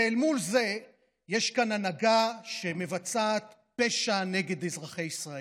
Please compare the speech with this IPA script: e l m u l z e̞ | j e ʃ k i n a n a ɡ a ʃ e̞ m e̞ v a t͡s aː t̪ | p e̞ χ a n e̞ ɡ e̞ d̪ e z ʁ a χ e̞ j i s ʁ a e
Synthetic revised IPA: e l m u l z e̞ | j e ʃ k a n a n a ɡ a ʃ e̞ m e̞ v a t͡s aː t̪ | p e̞ ʃ a n e̞ ɡ e̞ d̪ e z ʁ a χ e̞ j i s ʁ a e